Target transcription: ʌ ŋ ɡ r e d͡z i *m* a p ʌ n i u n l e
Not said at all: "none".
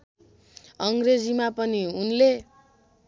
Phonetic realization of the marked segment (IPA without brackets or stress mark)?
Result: m